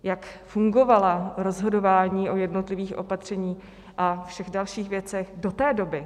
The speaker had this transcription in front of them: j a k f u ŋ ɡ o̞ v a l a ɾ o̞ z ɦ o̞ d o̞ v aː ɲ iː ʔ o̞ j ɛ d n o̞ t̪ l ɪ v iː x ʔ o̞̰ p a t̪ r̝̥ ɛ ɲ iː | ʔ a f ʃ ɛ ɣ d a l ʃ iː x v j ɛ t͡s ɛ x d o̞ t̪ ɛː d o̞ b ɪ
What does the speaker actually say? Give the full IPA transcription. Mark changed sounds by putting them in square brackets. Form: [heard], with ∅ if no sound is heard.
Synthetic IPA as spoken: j a k f u ŋ ɡ o̞ v a l a ɾ o̞ z ɦ o̞ d o̞ v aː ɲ iː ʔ o̞ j ɛ d n o̞ t̪ l ɪ v iː x ʔ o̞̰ p a t̪ r̝̥ ɛ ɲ iː | ʔ a f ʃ ɛ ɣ d a l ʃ iː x v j ɛ t͡s ɛ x d o̞ t̪ ɛː d o̞ b ɪ